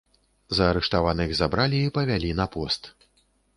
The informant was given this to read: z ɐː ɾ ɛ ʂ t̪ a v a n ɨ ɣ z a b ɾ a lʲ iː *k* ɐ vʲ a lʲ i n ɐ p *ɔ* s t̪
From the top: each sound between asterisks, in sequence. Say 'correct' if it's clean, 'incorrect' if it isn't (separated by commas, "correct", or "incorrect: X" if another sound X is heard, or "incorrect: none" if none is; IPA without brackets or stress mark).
incorrect: p, correct